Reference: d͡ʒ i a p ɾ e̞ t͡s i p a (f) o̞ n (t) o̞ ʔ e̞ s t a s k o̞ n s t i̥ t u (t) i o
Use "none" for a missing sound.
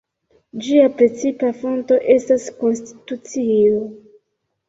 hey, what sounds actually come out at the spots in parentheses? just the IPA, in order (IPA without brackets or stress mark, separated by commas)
f, t, t͡s